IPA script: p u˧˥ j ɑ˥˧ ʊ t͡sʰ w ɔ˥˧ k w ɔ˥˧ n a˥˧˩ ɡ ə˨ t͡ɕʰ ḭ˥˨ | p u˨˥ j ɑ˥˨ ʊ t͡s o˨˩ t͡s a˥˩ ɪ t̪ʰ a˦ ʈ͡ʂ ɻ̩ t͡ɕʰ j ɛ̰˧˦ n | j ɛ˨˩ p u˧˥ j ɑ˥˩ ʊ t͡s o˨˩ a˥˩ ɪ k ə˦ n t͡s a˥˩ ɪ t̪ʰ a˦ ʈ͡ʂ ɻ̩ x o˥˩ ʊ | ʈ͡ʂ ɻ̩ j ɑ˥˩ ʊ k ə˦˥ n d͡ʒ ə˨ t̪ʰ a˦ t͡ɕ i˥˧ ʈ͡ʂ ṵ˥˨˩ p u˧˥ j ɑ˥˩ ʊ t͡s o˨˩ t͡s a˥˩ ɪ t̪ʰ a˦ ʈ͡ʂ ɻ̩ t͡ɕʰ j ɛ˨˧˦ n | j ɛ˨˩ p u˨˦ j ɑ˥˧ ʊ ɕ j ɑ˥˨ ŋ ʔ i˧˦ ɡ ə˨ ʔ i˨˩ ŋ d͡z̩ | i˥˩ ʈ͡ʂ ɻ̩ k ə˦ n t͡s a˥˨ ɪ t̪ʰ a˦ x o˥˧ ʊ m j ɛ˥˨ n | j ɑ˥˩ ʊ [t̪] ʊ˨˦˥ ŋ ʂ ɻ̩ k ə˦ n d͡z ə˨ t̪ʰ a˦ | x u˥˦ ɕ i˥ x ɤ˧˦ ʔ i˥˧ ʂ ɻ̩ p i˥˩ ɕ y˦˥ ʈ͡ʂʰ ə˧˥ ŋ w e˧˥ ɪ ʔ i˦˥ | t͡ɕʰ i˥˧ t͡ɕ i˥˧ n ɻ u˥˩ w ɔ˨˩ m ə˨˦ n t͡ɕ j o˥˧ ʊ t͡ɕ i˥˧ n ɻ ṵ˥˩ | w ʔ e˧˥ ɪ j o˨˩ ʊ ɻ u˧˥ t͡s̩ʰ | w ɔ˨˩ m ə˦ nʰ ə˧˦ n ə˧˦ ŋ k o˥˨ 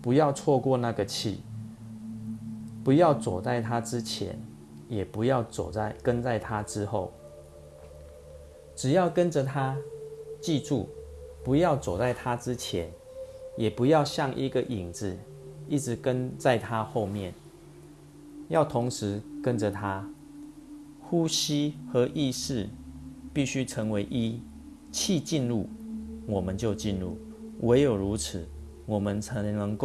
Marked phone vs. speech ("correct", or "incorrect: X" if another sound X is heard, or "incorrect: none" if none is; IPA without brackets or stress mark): incorrect: t̪ʰ